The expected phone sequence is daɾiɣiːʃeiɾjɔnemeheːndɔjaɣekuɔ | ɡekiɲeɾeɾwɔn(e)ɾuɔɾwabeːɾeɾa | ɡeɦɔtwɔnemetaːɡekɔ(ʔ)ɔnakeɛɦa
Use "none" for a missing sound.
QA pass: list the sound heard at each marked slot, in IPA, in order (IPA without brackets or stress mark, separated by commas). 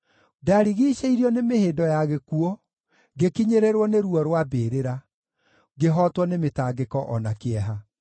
e, ʔ